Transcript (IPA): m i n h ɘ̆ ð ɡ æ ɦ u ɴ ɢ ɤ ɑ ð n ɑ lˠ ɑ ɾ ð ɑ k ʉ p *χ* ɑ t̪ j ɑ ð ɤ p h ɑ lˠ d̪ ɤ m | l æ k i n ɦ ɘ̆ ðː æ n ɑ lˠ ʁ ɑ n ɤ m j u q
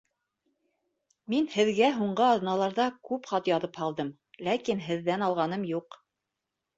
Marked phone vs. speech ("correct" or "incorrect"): correct